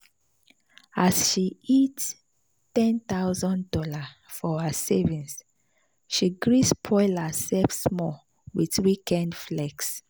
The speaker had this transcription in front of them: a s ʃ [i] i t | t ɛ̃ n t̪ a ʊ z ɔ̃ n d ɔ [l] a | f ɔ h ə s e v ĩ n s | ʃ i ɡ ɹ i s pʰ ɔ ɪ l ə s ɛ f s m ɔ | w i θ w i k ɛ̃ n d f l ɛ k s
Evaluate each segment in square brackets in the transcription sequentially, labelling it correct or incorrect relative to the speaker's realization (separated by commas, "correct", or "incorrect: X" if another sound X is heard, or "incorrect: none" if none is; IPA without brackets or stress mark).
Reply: correct, correct